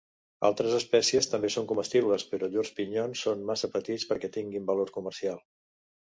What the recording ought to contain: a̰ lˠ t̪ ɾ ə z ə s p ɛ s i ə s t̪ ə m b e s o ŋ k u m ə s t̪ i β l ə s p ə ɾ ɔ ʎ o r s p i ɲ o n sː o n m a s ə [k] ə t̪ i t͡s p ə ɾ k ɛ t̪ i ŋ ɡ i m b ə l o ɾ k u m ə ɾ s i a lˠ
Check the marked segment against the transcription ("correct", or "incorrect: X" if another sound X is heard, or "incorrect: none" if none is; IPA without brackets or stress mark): incorrect: p